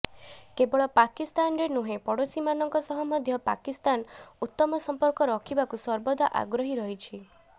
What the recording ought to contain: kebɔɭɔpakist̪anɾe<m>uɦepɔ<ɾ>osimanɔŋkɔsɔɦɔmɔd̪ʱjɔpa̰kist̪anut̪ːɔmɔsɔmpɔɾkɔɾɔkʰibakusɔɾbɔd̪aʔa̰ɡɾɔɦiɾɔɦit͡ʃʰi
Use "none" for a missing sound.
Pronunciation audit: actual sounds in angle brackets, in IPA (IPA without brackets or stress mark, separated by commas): n, ɽ